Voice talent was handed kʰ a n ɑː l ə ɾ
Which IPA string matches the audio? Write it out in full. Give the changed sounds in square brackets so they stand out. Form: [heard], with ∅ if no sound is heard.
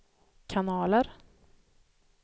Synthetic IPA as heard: kʰ a n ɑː l ə ɾ